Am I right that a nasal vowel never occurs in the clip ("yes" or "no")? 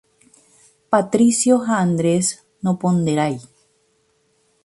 yes